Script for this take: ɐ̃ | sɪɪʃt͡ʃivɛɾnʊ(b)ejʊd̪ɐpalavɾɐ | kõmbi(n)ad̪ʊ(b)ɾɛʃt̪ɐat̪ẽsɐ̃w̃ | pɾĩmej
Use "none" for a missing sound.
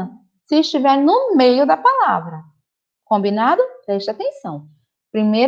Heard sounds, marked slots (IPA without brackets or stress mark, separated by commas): m, n, p